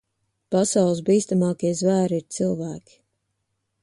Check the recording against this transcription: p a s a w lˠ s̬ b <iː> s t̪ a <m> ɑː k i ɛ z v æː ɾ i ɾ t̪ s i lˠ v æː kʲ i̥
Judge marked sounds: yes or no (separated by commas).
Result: yes, yes